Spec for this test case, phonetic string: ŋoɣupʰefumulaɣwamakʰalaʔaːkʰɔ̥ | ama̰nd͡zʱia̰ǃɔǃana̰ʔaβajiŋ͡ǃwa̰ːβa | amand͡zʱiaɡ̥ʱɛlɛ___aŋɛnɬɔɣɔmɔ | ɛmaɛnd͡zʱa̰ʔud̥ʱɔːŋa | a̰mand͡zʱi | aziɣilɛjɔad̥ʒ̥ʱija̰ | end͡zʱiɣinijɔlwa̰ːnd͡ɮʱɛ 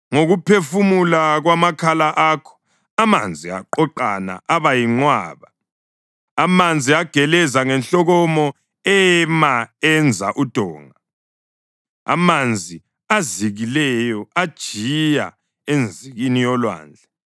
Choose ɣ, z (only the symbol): z